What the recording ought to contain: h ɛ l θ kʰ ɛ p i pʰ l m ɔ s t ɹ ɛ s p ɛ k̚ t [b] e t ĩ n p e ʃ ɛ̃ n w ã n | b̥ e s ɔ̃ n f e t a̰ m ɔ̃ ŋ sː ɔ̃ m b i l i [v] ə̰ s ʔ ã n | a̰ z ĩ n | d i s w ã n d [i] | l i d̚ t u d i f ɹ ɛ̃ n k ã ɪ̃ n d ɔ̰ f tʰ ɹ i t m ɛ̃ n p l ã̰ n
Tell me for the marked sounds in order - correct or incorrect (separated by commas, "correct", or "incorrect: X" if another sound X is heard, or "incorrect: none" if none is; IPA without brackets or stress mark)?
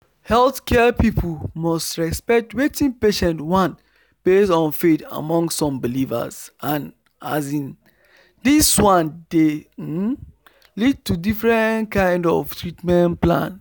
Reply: incorrect: w, correct, incorrect: e